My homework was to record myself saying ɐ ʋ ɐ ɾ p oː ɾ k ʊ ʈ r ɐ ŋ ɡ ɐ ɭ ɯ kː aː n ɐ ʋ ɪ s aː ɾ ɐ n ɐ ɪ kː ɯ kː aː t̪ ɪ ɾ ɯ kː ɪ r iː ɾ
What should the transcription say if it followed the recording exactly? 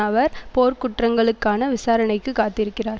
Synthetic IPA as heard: ɐ ʋ ɐ ɾ p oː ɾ k ʊ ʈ r ɐ ŋ ɡ ɐ ɭ ɯ kː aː n ɐ ʋ ɪ s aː ɾ ɐ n ɐ ɪ kː ɯ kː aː t̪ ɪ ɾ ɯ kː ɪ r aː ɾ